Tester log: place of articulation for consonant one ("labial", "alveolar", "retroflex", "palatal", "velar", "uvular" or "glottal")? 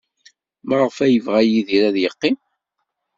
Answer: labial